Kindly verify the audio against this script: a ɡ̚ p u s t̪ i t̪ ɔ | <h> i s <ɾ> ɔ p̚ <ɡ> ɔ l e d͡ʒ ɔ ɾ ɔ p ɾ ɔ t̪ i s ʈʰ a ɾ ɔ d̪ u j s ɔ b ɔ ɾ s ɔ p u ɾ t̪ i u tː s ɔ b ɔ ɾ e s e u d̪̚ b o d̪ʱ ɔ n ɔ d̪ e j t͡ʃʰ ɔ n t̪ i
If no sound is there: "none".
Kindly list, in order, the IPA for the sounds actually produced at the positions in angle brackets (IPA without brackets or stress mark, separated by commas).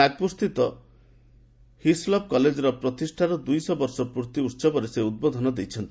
h, l, k